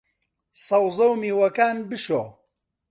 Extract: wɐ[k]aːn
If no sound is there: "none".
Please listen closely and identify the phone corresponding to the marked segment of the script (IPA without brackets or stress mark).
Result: k